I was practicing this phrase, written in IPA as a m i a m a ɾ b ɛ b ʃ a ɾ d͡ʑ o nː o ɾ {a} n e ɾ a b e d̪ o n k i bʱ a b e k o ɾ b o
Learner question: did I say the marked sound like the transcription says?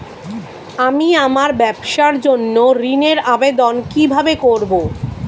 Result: no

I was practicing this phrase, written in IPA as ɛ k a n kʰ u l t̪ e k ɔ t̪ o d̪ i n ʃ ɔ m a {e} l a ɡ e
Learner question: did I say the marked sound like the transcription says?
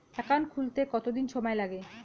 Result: yes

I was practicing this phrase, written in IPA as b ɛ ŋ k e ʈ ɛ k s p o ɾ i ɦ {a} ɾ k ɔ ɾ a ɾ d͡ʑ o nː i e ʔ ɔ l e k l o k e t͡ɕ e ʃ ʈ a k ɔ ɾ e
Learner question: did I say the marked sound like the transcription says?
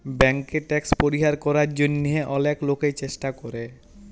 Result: yes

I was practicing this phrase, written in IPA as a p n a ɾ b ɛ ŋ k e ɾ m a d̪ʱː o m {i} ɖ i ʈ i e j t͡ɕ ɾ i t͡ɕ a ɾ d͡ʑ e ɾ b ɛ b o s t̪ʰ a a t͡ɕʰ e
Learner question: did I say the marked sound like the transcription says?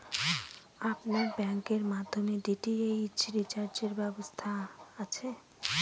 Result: no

